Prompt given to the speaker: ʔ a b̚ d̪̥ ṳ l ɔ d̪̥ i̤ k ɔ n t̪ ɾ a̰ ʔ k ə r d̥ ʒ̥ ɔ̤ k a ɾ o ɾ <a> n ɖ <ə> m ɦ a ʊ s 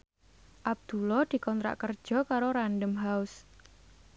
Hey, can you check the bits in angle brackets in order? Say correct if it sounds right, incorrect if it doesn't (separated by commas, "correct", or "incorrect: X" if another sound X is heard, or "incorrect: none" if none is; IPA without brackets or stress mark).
correct, correct